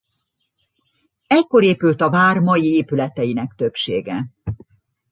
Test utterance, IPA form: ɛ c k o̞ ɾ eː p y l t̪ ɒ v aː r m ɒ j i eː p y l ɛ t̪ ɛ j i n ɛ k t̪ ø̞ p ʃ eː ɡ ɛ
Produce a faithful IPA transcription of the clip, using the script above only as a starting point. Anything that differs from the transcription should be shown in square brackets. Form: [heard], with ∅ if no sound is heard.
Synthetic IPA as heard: ɛ c k o̞ ɾ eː p y l t̪ ɒ v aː r m ɒ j i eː p y l ɛ t̪ ɛ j i n ɛ k t̪ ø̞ p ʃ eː ɡ ɛ